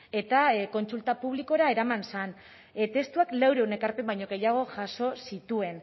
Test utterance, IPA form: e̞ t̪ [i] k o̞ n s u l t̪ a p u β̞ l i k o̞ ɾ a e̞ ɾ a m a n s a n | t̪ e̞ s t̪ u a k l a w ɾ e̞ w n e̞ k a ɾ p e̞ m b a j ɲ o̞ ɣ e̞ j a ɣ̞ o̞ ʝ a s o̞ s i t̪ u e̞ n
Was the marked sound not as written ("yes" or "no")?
yes